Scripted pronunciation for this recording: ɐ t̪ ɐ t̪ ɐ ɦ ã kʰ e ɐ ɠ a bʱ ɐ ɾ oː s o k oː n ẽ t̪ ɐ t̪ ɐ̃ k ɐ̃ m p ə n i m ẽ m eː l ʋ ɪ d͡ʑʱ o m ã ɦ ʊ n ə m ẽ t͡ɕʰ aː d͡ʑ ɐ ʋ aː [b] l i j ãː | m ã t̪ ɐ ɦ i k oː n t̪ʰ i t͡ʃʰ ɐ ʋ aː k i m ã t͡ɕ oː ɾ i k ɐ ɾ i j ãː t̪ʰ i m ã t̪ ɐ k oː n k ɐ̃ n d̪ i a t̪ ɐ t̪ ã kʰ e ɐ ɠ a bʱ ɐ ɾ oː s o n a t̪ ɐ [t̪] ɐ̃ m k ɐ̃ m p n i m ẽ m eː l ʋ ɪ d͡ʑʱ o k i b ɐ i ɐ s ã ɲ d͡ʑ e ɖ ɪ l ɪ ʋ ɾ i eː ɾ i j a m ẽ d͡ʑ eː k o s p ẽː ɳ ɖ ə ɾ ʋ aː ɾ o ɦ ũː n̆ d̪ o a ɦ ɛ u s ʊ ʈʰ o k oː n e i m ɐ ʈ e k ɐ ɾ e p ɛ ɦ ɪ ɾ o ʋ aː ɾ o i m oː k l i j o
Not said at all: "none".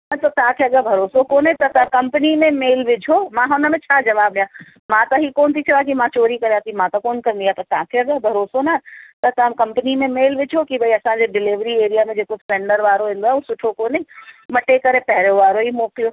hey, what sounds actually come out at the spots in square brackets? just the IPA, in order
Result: b, t̪

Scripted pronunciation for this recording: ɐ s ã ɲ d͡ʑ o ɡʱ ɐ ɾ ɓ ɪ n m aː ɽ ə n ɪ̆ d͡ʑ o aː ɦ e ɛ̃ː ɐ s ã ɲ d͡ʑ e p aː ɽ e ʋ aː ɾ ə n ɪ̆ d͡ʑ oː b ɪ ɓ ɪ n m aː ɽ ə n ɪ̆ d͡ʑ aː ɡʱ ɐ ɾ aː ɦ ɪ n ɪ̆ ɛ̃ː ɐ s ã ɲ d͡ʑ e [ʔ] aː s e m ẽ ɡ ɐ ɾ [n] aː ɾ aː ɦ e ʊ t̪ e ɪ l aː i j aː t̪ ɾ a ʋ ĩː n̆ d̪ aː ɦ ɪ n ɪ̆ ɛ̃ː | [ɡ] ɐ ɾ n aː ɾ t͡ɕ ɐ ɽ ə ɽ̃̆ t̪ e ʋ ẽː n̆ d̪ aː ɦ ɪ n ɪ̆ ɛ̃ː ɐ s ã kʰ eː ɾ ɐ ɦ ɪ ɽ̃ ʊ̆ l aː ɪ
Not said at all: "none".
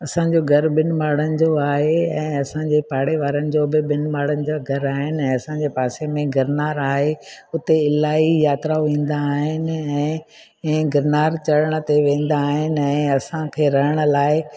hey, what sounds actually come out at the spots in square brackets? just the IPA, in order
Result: p, n, ɡ

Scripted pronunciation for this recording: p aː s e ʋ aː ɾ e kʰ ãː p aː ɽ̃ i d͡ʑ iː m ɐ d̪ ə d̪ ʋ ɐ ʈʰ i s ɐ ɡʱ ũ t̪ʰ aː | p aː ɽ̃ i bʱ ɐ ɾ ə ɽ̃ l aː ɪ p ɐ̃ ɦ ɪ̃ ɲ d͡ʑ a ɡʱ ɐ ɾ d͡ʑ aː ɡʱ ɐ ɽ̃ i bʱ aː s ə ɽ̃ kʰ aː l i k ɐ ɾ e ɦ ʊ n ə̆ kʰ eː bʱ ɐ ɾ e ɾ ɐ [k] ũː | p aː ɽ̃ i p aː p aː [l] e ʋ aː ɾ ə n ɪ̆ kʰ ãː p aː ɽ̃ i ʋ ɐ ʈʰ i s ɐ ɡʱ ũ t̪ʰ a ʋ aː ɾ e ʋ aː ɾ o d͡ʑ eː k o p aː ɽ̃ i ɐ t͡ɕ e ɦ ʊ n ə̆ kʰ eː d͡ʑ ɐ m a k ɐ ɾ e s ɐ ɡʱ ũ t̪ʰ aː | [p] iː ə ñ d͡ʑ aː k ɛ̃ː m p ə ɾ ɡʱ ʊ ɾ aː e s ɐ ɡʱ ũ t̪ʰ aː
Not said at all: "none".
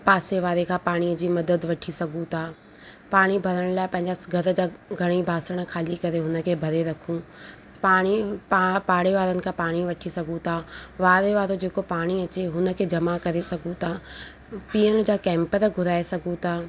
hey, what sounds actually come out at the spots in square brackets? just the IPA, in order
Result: kʰ, ɽ, p

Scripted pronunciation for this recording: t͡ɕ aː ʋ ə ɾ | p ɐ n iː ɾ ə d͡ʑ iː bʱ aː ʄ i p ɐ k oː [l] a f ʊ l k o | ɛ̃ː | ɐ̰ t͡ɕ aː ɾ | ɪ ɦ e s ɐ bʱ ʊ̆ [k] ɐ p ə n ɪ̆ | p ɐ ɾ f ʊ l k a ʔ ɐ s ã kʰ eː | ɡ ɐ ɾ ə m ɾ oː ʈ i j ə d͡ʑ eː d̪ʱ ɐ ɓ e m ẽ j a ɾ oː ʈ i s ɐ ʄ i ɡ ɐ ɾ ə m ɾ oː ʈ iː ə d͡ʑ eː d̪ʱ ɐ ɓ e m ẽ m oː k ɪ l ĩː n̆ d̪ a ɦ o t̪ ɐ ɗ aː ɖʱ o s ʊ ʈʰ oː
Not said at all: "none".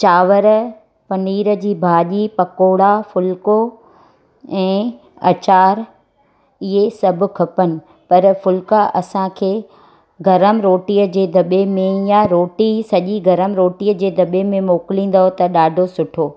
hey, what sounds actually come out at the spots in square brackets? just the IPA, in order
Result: ɽ, kʰ

